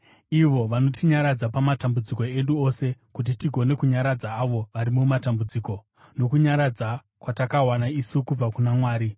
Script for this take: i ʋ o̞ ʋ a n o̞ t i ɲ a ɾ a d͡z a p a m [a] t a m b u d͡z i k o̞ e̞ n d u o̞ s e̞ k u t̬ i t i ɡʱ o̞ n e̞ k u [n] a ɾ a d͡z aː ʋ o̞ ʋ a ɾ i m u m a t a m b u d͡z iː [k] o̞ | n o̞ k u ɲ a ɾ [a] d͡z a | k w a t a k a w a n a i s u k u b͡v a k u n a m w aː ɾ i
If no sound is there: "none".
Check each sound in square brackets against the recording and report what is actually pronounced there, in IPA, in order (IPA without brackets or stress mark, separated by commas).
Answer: a, ɲ, k, a